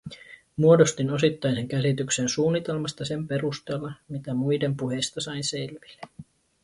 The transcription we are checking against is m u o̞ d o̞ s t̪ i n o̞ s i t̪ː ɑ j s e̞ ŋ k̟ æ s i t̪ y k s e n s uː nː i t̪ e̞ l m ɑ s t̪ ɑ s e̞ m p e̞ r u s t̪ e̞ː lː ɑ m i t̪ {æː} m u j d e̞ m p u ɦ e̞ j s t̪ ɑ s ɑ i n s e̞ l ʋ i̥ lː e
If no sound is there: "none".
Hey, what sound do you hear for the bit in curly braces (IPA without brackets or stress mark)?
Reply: æ